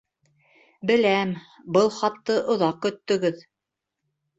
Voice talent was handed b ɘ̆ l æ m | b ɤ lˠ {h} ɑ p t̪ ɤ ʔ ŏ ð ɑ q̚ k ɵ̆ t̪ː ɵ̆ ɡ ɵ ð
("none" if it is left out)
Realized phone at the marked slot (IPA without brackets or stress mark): χ